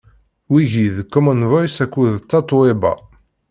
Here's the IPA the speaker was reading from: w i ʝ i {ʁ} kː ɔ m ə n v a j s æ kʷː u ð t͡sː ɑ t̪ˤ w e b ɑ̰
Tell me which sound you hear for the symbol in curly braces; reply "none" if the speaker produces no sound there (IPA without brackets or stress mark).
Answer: ð